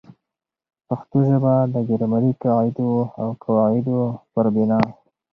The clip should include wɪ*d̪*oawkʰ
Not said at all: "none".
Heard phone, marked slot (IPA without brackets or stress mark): d̪